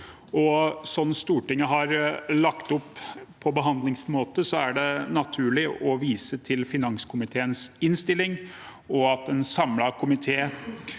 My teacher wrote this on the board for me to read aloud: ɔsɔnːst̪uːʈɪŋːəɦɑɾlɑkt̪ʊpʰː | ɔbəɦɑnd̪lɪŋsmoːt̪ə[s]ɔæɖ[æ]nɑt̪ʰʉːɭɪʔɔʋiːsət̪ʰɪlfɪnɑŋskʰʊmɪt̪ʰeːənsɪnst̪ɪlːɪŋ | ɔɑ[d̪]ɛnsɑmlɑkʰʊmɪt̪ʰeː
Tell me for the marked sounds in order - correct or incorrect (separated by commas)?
correct, incorrect, incorrect